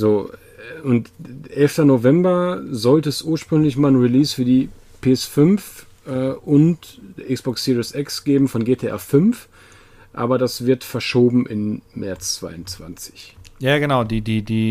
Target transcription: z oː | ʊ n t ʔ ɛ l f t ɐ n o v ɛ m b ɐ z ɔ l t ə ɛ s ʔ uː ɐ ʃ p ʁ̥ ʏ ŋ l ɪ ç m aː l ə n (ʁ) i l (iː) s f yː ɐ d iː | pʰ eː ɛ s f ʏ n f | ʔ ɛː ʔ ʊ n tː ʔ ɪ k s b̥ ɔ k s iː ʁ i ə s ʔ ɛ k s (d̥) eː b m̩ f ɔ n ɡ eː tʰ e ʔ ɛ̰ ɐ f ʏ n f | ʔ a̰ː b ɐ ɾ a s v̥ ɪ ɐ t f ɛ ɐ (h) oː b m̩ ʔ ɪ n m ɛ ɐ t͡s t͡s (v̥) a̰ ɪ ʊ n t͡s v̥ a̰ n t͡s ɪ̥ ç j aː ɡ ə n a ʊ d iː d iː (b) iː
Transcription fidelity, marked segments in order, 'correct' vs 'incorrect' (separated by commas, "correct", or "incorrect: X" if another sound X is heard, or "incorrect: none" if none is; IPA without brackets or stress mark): correct, correct, incorrect: ɡ̥, incorrect: ʃ, correct, incorrect: d